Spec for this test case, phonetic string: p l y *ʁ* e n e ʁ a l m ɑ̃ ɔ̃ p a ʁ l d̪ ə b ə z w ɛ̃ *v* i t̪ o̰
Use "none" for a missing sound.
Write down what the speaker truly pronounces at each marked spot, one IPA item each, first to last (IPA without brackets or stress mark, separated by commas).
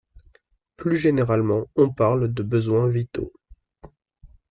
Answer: ʒ, v